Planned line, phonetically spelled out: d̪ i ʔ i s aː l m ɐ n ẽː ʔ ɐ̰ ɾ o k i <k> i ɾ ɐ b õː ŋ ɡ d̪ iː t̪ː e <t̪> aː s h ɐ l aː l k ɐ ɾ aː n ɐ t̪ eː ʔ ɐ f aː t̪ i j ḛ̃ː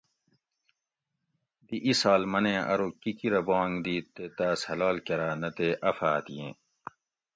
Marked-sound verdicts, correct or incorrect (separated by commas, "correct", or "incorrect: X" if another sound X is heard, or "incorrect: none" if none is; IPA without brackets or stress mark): correct, correct